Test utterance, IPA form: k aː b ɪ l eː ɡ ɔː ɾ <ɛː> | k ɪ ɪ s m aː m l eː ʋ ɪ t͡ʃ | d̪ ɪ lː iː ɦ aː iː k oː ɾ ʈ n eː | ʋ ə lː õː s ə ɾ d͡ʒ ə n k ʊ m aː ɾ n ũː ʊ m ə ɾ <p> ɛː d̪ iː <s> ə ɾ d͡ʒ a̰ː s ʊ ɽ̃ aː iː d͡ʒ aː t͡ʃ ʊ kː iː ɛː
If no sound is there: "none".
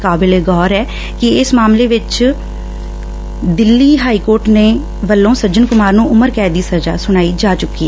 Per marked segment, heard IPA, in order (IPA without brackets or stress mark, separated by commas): ɛː, k, s